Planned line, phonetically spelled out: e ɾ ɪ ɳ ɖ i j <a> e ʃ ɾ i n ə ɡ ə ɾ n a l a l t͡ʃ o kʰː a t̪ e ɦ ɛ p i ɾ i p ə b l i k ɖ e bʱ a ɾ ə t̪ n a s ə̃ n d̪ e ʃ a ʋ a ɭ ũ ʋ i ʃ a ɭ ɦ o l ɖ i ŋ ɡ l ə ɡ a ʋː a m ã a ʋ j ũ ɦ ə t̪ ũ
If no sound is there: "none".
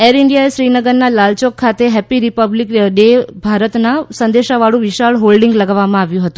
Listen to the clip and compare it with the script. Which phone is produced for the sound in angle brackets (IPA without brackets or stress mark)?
a